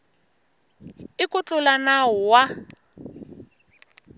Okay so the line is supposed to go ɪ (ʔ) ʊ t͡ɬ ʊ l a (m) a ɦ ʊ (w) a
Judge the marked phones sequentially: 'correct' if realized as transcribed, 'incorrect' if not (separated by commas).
incorrect, incorrect, correct